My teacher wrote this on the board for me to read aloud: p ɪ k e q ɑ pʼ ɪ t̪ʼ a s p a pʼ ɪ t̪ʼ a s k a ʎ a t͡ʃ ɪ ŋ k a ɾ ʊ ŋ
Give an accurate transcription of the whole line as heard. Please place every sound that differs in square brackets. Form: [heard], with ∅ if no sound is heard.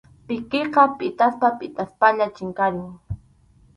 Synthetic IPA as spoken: p ɪ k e q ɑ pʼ ɪ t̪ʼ a s p a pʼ ɪ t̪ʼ a s [p] a ʎ a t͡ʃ ɪ ŋ k a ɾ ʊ ŋ